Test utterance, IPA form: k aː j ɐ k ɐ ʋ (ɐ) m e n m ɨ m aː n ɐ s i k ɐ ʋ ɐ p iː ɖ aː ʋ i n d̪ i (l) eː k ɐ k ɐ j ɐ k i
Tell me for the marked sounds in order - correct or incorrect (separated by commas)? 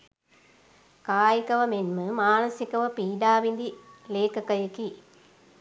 correct, correct